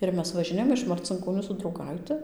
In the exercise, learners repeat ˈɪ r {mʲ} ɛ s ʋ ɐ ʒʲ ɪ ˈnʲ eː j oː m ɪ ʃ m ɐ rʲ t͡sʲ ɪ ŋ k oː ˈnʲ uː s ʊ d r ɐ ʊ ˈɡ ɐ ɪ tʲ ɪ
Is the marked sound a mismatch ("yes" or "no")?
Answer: no